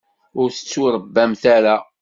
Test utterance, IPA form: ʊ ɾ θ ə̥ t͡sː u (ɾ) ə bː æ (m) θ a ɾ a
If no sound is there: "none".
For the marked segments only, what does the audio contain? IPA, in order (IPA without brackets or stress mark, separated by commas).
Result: ɾ, m